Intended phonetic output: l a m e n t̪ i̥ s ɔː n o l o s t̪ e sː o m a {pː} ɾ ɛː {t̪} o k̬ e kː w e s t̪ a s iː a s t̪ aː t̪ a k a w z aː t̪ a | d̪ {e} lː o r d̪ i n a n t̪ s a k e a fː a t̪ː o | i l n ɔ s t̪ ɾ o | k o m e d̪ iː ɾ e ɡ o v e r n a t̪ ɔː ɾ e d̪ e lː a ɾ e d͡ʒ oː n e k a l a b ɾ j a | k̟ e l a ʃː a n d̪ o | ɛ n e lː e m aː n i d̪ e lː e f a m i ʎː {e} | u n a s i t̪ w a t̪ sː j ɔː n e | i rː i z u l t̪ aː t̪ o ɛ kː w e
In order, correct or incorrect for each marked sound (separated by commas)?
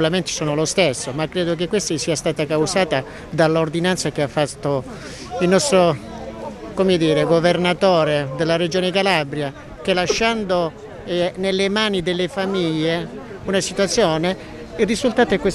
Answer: incorrect, incorrect, incorrect, correct